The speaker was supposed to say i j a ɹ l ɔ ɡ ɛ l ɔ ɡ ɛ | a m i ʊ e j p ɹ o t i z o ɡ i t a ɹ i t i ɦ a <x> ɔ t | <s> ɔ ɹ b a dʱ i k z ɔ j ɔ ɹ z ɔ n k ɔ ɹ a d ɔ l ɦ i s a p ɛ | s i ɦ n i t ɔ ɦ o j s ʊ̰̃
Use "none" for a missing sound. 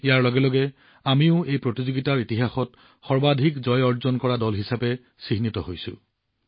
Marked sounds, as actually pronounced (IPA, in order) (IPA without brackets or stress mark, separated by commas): x, x